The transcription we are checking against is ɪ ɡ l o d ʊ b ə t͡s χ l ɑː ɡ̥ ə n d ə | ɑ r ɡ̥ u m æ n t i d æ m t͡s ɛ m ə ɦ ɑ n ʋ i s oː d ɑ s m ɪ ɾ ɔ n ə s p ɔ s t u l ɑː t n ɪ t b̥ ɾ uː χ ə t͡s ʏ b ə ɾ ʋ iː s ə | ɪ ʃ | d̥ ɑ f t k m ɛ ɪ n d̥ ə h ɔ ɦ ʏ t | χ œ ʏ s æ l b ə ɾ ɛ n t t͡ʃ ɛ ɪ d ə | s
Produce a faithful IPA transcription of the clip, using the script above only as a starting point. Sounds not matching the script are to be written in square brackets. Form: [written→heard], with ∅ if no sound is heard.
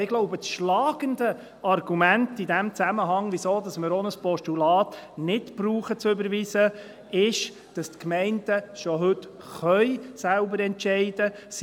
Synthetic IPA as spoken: ɪ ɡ l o [d→∅] ʊ b ə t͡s [χ→ʃ] l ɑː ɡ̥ ə n d ə | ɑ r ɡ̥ u m æ n t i d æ m t͡s [ɛ→æ] m ə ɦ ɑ [n→ŋ] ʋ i s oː d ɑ s m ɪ ɾ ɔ n ə s p ɔ [s→ʃ] t u l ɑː t n ɪ t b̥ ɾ uː χ ə t͡s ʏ b ə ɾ ʋ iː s ə | ɪ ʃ | d̥ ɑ [f→s] t k m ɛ ɪ n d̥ ə [h→ʃ] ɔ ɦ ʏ t | χ œ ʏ s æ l b ə ɾ ɛ n t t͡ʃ ɛ ɪ d ə | s